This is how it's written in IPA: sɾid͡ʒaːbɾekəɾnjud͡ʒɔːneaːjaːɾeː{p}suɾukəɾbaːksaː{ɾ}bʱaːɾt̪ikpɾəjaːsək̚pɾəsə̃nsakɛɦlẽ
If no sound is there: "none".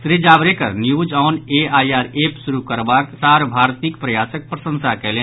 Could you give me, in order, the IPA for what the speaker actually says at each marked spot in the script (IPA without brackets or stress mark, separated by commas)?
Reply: p, ɾ